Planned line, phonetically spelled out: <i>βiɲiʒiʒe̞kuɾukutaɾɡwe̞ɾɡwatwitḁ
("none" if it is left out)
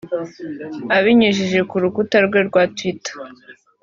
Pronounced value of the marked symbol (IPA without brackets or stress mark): a